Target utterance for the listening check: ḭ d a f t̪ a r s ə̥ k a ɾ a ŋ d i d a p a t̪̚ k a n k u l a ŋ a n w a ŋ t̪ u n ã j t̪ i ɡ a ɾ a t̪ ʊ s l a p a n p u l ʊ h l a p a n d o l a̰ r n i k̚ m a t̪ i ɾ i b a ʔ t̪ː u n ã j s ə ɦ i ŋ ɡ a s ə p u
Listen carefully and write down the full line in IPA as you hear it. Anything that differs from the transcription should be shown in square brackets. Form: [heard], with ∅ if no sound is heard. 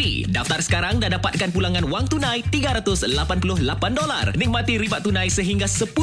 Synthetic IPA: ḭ d a f t̪ a r s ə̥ k a ɾ a ŋ d [a] d a p a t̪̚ k a n [p] u l a ŋ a n w a ŋ t̪ u n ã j t̪ i ɡ a ɾ a t̪ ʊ s l a p a n p u l ʊ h l a p a n d o l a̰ r n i k̚ m a t̪ i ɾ i b a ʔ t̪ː u n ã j s ə ɦ i ŋ ɡ a s ə p u